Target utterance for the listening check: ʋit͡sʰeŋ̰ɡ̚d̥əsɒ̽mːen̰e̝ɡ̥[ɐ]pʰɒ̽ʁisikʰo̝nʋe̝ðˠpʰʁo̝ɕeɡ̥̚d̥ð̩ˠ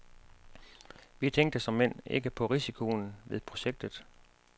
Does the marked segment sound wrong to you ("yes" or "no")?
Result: yes